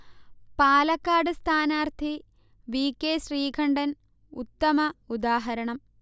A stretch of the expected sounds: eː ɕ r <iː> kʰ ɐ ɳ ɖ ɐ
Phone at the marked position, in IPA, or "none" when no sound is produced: iː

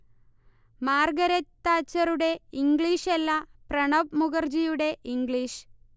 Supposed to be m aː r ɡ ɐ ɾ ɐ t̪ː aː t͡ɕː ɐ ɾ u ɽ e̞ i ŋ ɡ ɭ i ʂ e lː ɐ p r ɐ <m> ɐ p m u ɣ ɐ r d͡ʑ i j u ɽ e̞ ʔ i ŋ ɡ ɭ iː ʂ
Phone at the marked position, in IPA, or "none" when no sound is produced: ɳ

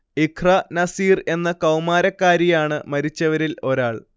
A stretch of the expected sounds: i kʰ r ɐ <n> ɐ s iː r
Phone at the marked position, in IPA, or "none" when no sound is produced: n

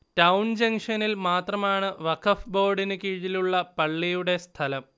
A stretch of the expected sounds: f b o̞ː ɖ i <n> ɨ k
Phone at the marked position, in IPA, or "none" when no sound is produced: n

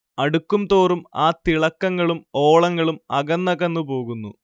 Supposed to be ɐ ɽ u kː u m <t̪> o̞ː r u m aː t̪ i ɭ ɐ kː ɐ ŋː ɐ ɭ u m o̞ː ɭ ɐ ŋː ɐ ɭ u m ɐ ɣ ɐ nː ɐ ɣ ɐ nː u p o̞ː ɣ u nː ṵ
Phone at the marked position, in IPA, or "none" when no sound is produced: t̪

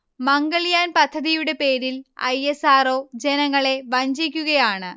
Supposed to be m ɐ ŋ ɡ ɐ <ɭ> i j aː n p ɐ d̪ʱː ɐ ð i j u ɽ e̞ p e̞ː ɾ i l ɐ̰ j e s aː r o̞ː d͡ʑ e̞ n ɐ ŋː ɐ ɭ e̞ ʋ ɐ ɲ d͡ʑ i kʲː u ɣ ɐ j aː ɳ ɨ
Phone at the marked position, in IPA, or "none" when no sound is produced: ɭ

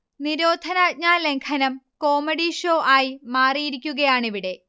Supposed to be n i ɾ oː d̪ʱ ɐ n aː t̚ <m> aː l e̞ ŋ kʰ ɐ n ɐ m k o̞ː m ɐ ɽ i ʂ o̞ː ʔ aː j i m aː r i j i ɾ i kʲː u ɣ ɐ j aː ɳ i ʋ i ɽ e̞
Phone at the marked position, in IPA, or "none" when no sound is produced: ɲ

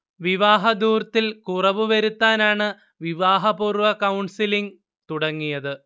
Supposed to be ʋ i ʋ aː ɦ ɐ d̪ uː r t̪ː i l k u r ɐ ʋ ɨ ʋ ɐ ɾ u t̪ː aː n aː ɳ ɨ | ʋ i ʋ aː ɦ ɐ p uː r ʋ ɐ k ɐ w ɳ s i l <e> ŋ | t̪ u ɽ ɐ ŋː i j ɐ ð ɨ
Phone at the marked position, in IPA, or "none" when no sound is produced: i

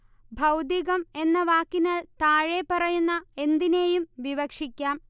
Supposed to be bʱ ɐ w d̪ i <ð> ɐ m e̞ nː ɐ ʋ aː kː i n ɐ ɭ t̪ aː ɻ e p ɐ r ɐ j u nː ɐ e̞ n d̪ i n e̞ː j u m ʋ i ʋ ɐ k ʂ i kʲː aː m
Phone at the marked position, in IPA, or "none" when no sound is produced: ɣ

